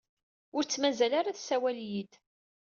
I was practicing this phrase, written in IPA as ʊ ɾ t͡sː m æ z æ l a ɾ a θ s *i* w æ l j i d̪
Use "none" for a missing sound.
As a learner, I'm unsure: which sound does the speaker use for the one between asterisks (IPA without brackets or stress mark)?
æ